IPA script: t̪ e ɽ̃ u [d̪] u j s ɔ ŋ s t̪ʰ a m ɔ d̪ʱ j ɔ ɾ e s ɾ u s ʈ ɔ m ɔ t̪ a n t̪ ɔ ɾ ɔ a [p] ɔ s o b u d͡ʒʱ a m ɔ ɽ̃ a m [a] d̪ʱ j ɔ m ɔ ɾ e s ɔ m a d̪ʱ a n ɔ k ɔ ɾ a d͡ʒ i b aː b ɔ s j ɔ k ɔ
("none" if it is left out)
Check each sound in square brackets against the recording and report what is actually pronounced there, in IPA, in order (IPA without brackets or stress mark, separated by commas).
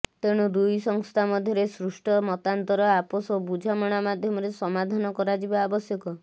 d̪, p, a